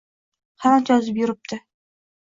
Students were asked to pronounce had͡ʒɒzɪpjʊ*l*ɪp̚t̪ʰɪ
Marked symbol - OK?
no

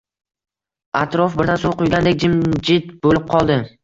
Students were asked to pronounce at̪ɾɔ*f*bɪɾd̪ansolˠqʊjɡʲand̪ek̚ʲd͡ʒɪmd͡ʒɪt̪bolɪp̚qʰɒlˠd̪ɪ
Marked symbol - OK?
yes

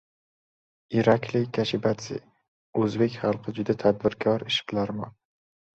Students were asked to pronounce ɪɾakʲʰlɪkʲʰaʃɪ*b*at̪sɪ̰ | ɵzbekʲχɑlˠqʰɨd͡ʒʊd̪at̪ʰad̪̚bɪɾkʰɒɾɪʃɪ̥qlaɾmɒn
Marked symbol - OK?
yes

